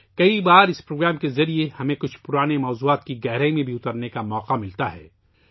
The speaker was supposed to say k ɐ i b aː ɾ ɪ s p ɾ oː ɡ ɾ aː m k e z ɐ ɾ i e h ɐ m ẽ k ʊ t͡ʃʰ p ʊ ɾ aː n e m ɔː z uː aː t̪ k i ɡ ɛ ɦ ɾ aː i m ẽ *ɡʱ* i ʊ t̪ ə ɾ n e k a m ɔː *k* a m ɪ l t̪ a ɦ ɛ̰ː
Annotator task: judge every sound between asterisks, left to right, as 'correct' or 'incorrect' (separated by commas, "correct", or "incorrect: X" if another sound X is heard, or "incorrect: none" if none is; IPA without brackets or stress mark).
incorrect: bʱ, incorrect: q